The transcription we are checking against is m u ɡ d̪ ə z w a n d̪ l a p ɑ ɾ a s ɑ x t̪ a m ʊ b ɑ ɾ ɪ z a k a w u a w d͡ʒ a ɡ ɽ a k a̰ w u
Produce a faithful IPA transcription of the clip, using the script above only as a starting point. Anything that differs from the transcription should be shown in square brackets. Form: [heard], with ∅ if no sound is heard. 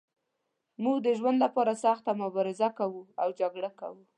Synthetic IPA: m u ɡ d̪ ə [ʒ] w a n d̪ l a p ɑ ɾ a s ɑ x t̪ a m ʊ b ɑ ɾ ɪ z a k a w u a w d͡ʒ a ɡ ɽ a k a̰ w u